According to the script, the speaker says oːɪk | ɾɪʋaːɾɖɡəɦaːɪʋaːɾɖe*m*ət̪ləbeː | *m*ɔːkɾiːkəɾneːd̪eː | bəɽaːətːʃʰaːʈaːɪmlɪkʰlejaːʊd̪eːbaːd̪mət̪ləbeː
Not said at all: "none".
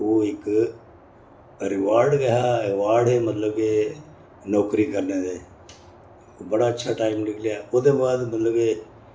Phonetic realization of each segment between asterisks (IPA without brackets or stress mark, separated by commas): m, n